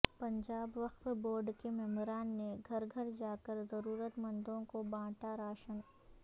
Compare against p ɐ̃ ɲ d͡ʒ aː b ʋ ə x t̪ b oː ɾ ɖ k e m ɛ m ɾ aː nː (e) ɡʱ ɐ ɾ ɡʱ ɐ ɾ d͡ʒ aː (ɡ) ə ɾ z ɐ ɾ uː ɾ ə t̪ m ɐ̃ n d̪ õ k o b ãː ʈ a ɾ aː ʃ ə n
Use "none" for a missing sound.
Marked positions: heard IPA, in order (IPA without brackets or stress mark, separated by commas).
e, k